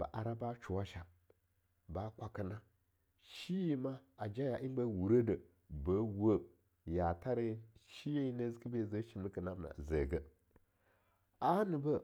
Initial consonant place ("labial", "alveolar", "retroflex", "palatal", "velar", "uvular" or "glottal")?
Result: labial